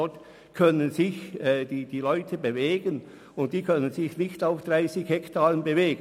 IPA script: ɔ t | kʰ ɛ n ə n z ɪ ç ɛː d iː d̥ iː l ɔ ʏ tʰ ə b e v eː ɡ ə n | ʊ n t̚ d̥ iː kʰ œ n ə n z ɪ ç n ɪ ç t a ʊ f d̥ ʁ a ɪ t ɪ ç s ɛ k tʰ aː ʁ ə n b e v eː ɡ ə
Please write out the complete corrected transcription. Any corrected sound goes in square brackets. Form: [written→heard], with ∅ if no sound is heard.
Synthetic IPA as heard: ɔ t | kʰ [ɛ→œ] n ə n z ɪ ç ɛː d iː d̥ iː l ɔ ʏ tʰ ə b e v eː ɡ ə n | ʊ n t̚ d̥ iː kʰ œ n ə n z ɪ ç n ɪ ç t a ʊ f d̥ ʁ a ɪ [t→s] ɪ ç [s→h] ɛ k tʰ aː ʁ ə n b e v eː ɡ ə

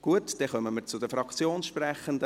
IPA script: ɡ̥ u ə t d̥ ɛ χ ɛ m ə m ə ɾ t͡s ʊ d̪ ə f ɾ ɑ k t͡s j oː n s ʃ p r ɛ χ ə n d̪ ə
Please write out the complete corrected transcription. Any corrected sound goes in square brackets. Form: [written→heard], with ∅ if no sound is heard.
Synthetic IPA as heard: ɡ̥ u ə t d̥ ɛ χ [ɛ→œ] m ə m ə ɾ t͡s ʊ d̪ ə f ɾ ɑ k t͡s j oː n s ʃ p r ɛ χ ə n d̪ ə

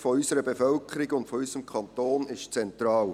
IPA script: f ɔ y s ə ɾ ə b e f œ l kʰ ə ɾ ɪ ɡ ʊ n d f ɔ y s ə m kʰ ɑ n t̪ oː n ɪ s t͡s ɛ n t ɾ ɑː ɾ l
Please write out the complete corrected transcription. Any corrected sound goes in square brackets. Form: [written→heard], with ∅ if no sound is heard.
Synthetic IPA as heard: f ɔ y s ə ɾ ə b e f œ l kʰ ə ɾ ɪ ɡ ʊ n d f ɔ y s ə m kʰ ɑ n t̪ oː n ɪ [s→ʃ] t͡s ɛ n t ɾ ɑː [ɾ→∅] l

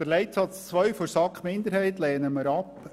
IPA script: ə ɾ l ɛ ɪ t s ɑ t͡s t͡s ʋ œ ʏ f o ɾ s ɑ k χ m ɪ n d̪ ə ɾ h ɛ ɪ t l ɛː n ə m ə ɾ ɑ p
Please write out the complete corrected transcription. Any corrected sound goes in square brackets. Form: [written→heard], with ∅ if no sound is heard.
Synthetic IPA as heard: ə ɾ l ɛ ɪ t s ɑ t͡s t͡s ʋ œ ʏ f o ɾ s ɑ k χ m ɪ n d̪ ə ɾ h ɛ ɪ t l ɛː n ə m ə ɾ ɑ p

